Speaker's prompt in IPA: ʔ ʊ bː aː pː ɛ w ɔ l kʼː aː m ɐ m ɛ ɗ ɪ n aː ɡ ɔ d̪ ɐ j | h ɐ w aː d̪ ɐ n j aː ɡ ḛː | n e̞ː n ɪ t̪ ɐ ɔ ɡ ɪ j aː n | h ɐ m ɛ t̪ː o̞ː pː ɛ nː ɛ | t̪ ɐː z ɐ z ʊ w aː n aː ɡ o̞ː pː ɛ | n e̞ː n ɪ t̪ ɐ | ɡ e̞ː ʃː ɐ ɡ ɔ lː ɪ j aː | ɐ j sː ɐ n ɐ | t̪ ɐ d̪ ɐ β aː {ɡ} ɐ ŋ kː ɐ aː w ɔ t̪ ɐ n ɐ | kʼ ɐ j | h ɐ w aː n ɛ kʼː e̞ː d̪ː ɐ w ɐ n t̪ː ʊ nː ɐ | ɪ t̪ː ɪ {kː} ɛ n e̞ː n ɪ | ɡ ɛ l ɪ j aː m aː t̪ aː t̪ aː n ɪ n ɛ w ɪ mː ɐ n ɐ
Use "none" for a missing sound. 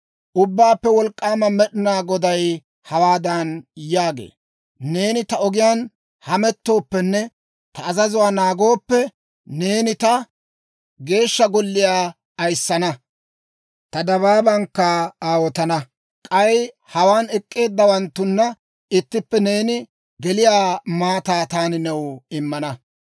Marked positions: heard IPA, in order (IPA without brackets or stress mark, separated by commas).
b, pː